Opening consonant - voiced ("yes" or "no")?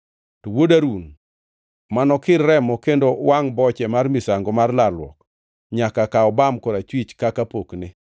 no